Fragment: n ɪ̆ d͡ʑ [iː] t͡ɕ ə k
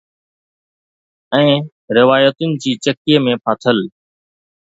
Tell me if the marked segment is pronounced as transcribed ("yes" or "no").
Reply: yes